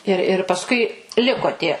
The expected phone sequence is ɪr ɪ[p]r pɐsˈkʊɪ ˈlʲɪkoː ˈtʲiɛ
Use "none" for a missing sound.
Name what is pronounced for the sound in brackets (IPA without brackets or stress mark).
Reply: none